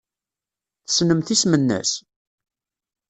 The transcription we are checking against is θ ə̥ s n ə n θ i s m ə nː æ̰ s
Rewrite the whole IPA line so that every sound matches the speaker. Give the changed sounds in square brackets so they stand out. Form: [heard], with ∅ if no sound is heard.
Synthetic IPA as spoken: θ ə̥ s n ə [m] θ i s m ə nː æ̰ s